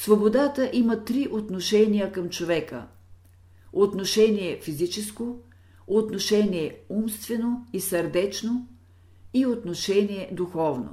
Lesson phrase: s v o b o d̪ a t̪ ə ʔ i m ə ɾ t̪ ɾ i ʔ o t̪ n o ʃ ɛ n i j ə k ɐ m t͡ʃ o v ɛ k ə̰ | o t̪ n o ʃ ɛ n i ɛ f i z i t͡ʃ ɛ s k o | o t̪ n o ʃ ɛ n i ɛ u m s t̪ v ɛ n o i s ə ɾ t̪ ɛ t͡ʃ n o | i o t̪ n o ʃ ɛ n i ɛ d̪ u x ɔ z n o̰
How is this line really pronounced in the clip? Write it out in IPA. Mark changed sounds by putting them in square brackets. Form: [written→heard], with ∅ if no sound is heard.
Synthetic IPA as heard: s v o b o d̪ a t̪ ə ʔ i m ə [ɾ→∅] t̪ ɾ i ʔ o t̪ n o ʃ ɛ n i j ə k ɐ m t͡ʃ o v ɛ k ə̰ | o t̪ n o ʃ ɛ n i ɛ f i z i t͡ʃ ɛ s k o | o t̪ n o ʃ ɛ n i ɛ u m s t̪ v ɛ n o i s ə ɾ [t̪→d̪] ɛ t͡ʃ n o | i o t̪ n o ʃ ɛ n i ɛ d̪ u x ɔ [z→v] n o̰